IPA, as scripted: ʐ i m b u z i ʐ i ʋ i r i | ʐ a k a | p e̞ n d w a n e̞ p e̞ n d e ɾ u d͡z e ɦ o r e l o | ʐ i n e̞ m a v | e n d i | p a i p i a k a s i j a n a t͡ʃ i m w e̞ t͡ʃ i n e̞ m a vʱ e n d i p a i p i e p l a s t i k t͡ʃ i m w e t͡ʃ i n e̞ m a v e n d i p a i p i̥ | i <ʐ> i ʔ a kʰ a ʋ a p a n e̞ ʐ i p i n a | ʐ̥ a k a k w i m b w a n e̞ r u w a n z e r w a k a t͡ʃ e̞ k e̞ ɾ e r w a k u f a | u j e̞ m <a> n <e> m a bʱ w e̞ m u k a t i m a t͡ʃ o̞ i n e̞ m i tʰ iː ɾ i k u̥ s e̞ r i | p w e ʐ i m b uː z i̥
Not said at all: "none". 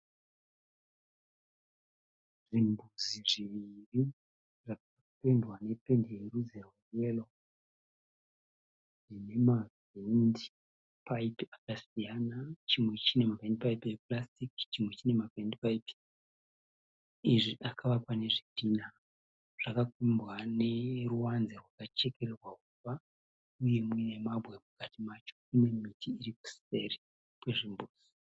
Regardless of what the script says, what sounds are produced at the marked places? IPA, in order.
ʐ, i, e

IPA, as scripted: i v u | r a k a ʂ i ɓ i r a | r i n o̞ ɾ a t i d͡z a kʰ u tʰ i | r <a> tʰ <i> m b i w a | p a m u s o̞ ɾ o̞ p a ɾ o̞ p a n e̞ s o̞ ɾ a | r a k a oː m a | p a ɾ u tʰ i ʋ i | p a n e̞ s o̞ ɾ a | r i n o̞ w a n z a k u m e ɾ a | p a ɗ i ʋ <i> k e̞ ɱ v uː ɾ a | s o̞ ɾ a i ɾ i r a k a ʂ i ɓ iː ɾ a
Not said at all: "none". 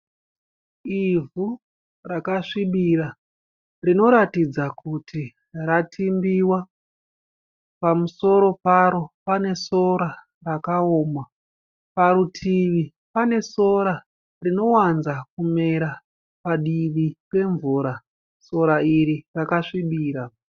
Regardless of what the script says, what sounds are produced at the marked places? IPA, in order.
a, i, i

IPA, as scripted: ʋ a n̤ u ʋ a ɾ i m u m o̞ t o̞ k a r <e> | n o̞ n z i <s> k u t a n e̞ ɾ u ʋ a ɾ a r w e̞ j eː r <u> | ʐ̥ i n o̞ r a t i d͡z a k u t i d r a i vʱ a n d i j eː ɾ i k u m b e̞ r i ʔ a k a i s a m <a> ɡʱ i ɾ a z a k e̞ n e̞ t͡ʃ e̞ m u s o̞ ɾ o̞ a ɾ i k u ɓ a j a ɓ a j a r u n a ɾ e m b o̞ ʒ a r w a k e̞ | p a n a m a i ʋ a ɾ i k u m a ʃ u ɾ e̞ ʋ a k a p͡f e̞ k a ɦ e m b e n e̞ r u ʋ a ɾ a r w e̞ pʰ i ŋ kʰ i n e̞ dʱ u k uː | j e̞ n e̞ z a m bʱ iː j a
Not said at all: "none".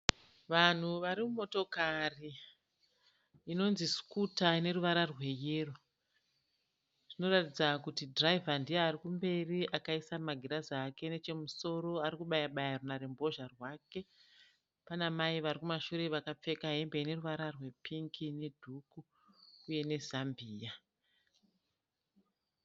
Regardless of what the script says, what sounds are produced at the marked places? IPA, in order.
i, s, o, a

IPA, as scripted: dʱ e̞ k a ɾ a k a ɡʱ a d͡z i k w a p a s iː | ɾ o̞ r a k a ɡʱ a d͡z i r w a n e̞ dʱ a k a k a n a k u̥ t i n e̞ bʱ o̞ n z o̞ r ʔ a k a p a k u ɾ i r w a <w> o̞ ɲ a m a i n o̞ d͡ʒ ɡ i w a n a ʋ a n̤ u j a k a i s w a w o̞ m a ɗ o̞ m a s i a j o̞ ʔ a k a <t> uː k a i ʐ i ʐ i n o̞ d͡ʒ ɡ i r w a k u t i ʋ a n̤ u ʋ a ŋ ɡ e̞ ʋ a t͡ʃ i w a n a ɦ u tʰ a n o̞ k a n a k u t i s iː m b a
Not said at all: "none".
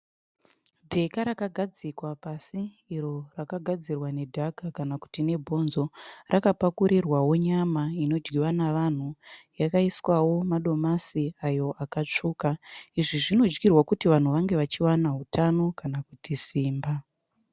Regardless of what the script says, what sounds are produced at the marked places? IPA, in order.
w, t͡ʂ

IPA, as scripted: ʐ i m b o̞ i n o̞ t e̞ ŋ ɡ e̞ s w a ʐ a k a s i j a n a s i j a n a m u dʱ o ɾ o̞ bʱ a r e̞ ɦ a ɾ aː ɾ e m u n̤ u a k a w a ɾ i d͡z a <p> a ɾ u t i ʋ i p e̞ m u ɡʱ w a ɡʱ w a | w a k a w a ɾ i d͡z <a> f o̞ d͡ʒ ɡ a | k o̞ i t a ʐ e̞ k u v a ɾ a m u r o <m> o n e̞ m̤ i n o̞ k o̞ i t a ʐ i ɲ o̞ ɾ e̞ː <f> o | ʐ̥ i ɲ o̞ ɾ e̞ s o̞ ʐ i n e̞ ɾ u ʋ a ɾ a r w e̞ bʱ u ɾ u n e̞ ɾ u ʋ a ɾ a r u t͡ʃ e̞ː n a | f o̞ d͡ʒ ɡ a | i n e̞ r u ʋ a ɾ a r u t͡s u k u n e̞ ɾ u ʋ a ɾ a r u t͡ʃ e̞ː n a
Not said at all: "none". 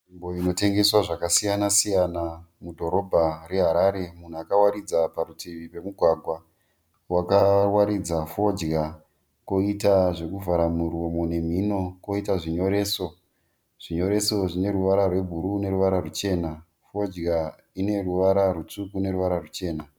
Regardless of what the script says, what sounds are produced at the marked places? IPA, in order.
p, a, m, s

